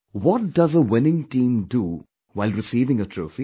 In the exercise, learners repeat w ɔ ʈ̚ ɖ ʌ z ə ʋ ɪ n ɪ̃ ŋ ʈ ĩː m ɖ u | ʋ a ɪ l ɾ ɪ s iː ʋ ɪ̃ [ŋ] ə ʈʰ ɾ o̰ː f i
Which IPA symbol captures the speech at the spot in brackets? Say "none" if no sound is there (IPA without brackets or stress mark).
ŋ